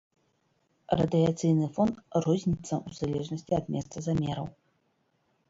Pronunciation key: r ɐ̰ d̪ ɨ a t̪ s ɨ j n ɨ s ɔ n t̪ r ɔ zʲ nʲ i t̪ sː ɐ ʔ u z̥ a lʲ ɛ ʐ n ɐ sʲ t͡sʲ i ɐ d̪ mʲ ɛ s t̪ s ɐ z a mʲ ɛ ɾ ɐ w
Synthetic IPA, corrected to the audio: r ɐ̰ d̪ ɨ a t̪ s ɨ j n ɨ f ɔ n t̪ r ɔ zʲ nʲ i t̪ sː ɐ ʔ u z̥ a lʲ ɛ ʐ n ɐ sʲ t͡sʲ i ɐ d̪ mʲ ɛ s t̪ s ɐ z a mʲ ɛ ɾ ɐ w